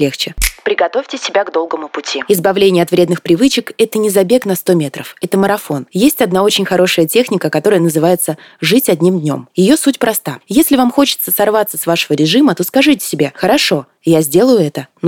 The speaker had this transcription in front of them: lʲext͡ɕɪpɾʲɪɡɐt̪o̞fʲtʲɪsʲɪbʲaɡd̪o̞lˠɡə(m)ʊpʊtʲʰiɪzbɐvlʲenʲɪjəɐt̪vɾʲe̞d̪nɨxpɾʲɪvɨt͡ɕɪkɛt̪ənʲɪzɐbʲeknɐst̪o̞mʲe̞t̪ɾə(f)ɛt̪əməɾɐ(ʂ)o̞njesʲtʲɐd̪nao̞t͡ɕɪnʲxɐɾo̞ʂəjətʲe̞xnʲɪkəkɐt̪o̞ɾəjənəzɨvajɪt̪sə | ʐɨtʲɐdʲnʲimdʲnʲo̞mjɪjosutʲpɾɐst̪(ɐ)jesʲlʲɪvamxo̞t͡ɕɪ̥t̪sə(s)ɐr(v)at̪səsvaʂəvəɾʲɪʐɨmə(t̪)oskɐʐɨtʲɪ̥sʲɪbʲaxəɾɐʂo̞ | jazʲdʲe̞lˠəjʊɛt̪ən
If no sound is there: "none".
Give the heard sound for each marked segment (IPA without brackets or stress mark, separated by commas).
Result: m, f, f, a, s, v, t̪